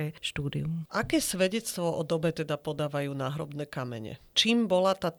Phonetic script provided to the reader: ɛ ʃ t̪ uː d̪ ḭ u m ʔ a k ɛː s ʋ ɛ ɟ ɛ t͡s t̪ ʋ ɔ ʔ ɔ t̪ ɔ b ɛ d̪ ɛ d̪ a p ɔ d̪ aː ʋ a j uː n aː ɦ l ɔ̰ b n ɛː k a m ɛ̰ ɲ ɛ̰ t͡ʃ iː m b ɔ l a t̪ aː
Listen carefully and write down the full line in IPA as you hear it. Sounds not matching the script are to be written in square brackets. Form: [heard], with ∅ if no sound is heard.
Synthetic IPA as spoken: ɛ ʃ t̪ uː d̪ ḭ u m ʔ a k ɛː s ʋ ɛ ɟ ɛ t͡s t̪ ʋ ɔ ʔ ɔ [d̪] ɔ b ɛ [t̪] ɛ d̪ a p ɔ d̪ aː ʋ a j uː n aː ɦ [ɾ] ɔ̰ b n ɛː k a m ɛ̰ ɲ ɛ̰ t͡ʃ iː m b ɔ l a t̪ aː